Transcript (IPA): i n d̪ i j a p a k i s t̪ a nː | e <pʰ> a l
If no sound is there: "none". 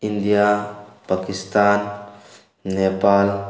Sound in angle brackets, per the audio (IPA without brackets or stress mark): p